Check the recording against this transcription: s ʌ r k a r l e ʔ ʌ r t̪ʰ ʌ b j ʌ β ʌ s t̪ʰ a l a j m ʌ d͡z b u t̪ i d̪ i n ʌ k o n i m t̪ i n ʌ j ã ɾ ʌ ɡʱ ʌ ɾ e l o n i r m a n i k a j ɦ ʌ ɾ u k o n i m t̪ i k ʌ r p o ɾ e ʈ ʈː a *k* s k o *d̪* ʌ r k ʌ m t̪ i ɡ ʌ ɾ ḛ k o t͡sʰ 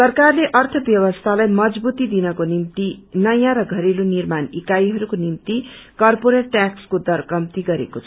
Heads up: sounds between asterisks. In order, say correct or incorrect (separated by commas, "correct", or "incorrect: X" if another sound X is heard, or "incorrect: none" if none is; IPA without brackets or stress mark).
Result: correct, correct